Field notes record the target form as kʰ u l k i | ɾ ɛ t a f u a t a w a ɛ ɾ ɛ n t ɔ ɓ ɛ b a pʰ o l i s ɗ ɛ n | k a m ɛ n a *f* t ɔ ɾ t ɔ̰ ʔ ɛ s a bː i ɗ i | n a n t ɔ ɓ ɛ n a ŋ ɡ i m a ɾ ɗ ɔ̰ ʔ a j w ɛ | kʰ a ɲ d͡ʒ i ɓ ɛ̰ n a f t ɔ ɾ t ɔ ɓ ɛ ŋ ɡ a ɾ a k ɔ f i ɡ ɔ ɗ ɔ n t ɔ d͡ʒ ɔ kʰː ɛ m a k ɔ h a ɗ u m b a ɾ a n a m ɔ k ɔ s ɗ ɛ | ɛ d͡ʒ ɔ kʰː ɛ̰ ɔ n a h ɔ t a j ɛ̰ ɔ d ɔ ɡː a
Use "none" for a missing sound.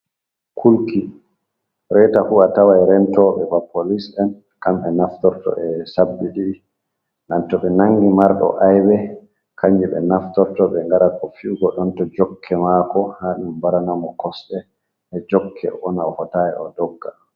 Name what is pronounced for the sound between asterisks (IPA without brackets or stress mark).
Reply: f